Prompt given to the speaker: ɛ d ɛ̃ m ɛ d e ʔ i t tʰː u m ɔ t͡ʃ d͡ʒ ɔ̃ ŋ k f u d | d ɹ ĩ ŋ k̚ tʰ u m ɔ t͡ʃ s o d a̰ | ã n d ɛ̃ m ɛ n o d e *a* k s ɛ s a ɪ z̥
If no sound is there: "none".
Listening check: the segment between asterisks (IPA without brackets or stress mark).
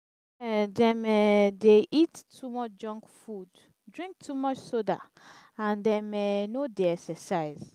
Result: ɛ